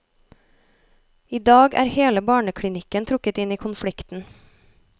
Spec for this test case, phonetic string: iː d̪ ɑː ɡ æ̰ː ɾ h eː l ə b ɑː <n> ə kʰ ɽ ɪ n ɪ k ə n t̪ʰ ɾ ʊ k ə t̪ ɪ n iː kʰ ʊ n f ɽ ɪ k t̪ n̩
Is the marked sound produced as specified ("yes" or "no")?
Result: no